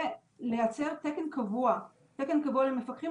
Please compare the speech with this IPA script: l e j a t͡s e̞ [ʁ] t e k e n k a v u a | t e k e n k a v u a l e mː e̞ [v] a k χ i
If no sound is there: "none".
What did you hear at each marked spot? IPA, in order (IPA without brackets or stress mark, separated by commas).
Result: ʁ, f